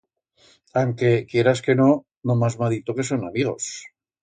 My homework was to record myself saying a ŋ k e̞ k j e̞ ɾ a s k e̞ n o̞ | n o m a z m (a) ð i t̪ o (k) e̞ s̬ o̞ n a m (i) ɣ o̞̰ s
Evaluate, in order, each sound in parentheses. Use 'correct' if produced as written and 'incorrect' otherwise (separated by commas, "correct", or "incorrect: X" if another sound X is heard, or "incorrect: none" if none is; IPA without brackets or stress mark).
correct, correct, correct